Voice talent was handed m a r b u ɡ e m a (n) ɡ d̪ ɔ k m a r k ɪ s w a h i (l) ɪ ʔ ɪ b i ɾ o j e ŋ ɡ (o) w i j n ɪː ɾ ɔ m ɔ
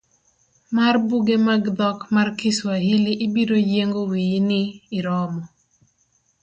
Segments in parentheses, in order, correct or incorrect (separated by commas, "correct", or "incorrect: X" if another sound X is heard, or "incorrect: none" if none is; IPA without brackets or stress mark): incorrect: none, correct, correct